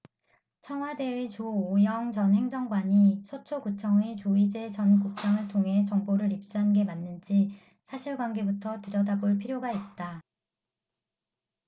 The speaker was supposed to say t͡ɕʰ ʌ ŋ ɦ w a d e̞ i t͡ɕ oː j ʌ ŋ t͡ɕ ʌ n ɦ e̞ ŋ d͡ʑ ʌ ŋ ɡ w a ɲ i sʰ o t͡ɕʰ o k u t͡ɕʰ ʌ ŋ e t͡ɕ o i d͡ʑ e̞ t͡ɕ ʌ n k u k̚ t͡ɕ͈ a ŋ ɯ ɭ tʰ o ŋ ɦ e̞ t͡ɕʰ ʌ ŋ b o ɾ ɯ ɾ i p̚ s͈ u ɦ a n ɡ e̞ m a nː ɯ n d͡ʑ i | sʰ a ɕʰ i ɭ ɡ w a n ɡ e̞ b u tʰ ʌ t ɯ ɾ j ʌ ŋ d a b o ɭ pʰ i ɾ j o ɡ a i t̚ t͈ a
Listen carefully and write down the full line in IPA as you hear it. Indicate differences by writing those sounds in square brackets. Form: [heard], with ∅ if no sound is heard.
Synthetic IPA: t͡ɕʰ ʌ ŋ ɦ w a d e̞ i t͡ɕ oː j ʌ ŋ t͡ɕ ʌ n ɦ e̞ ŋ d͡ʑ ʌ ŋ ɡ w a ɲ i sʰ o t͡ɕʰ o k u t͡ɕʰ ʌ ŋ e t͡ɕ o i d͡ʑ e̞ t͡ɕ ʌ n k u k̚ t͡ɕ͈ a ŋ ɯ ɭ tʰ o ŋ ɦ e̞ [t͡ɕ] ʌ ŋ b o ɾ ɯ ɾ i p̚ s͈ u ɦ a n ɡ e̞ m a nː ɯ n d͡ʑ i | sʰ a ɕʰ i ɭ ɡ w a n ɡ e̞ b u tʰ ʌ t ɯ ɾ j ʌ [∅] d a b o ɭ pʰ i ɾ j o ɡ a i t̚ t͈ a